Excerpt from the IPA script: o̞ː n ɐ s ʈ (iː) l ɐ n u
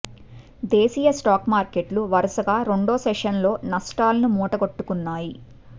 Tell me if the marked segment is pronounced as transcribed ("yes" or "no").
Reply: no